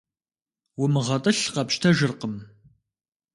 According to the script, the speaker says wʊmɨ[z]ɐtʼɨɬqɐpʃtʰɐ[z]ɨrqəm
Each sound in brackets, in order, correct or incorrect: incorrect: ʁ, incorrect: ʒ

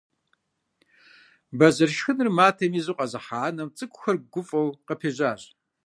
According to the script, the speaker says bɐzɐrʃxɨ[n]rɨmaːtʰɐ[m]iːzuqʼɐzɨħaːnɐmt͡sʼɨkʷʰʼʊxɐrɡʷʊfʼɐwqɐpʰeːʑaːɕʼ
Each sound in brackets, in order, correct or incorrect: correct, correct

